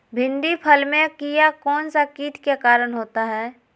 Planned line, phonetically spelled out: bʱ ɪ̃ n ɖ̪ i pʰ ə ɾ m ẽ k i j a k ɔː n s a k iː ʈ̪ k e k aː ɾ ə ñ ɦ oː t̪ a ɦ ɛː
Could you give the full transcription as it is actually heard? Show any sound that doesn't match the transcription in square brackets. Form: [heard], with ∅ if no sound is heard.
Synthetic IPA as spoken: bʱ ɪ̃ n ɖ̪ i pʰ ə [l] m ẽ k i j a k ɔː n s a k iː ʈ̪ k e k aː ɾ ə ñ ɦ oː t̪ a ɦ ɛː